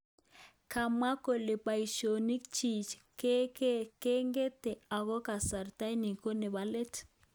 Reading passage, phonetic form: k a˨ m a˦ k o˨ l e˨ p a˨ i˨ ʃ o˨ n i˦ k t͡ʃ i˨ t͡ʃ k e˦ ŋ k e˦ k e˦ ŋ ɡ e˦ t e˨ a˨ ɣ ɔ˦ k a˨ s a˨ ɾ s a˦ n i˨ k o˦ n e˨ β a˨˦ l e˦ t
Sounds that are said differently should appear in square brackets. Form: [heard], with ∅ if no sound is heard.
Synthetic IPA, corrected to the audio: k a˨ m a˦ k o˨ l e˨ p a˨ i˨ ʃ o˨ n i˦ k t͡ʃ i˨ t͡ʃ k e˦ [∅] k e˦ k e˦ ŋ ɡ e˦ t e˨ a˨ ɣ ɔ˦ k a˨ s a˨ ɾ [t] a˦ n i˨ k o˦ n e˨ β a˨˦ l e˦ t

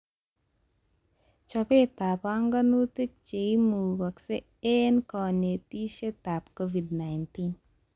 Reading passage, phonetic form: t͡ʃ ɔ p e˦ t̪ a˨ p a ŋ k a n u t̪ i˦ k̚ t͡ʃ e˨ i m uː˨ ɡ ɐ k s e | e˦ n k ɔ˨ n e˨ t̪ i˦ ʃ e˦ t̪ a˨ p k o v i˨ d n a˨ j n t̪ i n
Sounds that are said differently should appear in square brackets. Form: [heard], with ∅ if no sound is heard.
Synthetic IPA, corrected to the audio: t͡ʃ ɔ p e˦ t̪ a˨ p a ŋ [ɡ] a n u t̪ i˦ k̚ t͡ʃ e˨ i m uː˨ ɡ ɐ k s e | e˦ n k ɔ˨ n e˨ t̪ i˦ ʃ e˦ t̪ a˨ p k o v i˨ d n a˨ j n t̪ i n

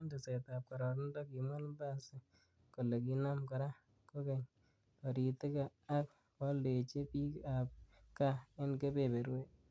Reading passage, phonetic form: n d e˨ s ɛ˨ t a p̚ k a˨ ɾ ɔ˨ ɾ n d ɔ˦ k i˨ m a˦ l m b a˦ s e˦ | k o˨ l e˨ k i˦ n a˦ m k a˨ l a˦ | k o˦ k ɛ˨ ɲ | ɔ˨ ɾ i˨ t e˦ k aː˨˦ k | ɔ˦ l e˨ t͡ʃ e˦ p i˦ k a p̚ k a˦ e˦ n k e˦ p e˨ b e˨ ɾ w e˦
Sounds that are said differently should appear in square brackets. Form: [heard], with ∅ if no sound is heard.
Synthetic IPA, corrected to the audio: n d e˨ s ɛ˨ t a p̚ k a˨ ɾ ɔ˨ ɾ n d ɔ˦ k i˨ m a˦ l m b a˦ s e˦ | k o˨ l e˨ k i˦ n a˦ m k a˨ [ɾ] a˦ | k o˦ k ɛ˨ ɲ | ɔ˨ ɾ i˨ t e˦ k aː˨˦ k | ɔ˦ l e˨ t͡ʃ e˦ p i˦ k a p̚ k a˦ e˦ n k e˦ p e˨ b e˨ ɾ w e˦

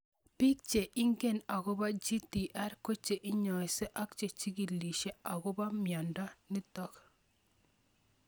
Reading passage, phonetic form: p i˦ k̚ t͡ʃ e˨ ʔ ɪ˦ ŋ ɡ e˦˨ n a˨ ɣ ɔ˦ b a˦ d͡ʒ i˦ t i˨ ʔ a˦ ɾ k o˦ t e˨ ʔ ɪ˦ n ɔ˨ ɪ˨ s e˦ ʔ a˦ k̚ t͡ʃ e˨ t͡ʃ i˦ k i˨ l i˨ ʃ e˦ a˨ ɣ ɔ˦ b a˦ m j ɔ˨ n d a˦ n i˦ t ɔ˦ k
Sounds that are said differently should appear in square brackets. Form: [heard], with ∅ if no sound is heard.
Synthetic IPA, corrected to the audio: p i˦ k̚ t͡ʃ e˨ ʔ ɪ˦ ŋ ɡ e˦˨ n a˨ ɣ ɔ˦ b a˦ d͡ʒ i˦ t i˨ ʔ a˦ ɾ k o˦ [t͡ʃ] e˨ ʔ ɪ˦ [ɲ] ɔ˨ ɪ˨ s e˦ ʔ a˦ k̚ t͡ʃ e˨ t͡ʃ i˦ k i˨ l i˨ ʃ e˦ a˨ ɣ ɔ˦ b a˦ m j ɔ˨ n d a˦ n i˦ t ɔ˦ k

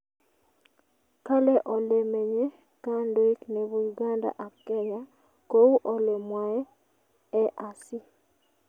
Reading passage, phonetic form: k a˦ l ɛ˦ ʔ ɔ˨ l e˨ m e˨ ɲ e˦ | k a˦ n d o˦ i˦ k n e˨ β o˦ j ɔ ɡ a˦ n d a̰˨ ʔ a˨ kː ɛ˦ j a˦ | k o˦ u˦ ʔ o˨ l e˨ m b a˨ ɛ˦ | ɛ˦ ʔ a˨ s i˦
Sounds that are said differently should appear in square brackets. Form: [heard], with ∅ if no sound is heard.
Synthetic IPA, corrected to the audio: k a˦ l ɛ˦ ʔ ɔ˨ l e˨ m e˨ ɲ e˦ | k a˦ n d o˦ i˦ k n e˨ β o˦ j [u] ɡ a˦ n d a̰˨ ʔ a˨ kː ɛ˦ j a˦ | k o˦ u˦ ʔ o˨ l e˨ m [w] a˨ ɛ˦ | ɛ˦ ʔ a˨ s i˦

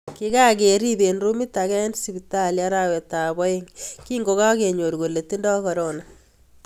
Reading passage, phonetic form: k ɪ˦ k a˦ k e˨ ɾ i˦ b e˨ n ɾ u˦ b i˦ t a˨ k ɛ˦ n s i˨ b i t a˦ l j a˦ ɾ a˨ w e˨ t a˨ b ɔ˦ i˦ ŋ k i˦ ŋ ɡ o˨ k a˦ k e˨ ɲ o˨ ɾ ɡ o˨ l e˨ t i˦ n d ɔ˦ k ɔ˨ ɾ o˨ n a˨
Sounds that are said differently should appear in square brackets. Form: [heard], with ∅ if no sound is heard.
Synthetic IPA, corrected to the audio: k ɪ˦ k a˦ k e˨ ɾ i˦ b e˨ n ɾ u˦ [m] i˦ t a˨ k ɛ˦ n s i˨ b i t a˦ l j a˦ ɾ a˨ w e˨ t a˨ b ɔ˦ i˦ ŋ k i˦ ŋ ɡ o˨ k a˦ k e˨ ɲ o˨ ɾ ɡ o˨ l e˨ t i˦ n d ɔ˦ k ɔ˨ ɾ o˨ n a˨

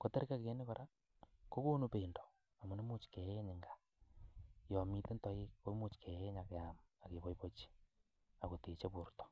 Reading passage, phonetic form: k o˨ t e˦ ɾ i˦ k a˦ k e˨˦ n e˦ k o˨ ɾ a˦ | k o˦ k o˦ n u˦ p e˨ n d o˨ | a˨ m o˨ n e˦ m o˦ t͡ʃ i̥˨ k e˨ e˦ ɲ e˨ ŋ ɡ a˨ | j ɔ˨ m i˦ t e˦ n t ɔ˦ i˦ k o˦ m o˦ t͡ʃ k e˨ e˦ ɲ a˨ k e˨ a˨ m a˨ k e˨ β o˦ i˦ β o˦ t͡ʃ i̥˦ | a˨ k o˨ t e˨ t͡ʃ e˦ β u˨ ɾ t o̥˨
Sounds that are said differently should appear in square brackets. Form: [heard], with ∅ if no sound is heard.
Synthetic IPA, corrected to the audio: k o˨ t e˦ ɾ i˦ k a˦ k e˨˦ n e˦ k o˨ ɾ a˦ | k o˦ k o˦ n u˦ p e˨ n d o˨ | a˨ m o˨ n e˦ m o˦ t͡ʃ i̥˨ k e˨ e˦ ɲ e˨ ŋ ɡ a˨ | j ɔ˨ m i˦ t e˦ n t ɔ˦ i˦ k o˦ m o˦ t͡ʃ k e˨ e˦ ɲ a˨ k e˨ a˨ m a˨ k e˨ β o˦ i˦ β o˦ t͡ʃ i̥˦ | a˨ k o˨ t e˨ t͡ʃ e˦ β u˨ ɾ t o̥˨

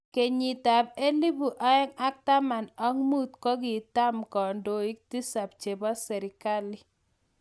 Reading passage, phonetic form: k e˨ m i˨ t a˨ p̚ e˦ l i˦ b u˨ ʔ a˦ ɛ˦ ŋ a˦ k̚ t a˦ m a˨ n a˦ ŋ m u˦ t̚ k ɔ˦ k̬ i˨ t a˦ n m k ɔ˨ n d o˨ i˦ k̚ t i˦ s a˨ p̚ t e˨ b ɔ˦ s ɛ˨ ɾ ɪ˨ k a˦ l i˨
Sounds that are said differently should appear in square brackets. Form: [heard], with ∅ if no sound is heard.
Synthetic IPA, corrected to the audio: k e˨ [ɲ] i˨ t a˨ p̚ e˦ l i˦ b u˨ ʔ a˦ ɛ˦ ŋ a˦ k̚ t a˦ m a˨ n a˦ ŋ m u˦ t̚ k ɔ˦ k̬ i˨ t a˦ [∅] m k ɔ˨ n d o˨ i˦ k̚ t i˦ s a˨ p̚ [t͡ʃ] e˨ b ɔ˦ s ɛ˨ ɾ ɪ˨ k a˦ l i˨

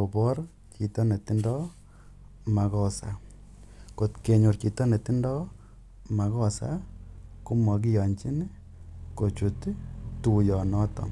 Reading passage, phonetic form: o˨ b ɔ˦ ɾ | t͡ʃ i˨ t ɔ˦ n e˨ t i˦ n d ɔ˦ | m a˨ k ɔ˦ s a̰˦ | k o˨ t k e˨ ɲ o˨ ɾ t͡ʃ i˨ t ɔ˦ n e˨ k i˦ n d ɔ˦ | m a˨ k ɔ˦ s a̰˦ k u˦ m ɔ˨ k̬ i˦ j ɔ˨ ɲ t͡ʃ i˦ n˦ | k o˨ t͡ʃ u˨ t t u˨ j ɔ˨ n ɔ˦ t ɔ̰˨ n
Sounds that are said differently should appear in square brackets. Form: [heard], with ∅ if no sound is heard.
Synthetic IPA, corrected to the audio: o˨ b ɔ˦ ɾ | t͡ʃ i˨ t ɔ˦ n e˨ t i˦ n d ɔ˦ | m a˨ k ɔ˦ s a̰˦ | k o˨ t k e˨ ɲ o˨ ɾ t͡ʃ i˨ t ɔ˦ n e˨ [t] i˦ n d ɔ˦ | m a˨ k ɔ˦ s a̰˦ k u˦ m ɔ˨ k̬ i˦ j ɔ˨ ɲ t͡ʃ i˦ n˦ | k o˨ t͡ʃ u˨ t t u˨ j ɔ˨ n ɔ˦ t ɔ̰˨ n

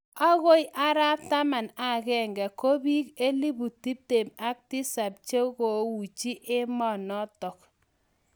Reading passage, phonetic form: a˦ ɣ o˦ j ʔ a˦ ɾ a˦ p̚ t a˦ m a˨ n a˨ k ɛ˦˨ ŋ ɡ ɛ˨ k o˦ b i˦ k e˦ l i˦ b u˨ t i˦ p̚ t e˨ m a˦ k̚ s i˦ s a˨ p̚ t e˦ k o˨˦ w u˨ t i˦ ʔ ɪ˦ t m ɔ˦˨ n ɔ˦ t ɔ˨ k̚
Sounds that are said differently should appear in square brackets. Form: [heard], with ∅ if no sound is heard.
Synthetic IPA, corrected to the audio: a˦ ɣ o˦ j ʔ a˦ ɾ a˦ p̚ t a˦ m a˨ n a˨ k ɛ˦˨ ŋ ɡ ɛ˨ k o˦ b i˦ k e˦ l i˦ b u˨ t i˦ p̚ t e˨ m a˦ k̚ [t] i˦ s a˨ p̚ [t͡ʃ] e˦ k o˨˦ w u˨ [t͡ʃ] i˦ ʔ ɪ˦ [∅] m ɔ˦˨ n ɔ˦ t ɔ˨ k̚

